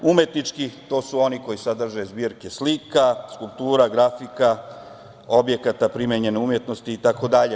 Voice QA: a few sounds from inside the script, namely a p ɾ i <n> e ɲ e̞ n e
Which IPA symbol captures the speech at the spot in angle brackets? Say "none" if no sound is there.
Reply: m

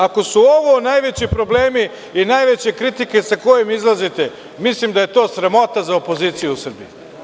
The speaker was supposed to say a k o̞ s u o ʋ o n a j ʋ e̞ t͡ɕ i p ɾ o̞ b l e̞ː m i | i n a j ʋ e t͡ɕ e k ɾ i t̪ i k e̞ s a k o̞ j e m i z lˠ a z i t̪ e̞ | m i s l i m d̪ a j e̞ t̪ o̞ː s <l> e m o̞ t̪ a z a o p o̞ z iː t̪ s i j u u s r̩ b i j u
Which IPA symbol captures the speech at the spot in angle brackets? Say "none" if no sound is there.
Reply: ɾ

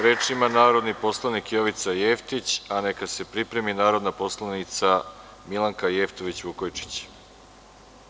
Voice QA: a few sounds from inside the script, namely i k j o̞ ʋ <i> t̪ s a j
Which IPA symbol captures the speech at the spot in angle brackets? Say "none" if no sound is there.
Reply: i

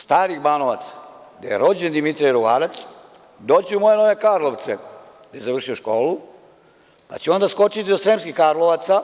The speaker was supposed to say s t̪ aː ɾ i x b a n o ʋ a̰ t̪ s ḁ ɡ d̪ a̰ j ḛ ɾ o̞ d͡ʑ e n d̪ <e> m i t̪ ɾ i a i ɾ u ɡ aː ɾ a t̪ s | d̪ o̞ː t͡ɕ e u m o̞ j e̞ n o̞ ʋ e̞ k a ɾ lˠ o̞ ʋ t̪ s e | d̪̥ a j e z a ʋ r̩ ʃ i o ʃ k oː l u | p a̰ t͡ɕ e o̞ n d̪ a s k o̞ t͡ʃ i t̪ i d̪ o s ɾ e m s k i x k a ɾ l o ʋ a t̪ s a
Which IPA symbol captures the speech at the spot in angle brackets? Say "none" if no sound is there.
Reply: i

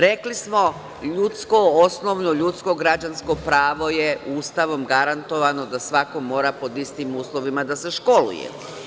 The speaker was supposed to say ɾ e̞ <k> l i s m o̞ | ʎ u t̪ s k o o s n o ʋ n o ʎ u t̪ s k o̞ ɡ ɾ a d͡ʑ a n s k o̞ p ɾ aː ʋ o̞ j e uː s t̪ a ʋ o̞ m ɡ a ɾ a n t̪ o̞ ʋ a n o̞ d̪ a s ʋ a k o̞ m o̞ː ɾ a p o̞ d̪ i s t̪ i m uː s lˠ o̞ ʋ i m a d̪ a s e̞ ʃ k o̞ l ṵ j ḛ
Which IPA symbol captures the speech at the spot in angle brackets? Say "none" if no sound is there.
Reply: k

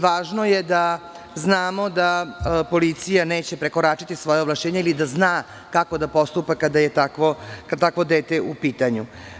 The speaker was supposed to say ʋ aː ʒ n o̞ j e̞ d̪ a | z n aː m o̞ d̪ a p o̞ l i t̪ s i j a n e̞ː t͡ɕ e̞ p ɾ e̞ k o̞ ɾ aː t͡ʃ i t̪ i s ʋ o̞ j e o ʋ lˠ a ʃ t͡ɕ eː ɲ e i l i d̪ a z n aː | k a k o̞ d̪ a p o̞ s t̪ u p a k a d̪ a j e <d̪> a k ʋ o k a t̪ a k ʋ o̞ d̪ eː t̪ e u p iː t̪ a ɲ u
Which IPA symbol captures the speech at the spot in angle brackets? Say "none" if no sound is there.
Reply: t̪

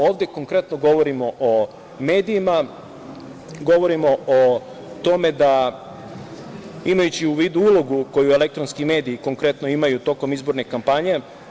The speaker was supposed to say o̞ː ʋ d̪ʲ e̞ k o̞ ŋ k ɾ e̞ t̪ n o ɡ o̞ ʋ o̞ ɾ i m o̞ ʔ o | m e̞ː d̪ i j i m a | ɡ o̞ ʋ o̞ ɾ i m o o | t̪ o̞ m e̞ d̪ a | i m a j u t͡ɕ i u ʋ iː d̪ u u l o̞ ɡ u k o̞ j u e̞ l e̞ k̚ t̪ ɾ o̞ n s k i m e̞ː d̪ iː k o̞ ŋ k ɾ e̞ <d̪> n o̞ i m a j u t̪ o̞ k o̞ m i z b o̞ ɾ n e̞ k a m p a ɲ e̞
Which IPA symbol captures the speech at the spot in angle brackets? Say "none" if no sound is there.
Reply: t̪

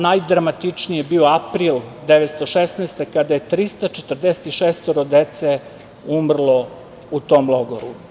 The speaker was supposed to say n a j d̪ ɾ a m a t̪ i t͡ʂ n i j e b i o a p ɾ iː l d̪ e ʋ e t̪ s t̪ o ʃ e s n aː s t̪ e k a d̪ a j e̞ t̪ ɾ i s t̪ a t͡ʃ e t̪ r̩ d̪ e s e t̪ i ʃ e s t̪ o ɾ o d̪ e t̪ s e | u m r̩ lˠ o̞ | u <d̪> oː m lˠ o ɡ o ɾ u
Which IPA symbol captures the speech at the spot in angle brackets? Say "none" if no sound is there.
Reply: t̪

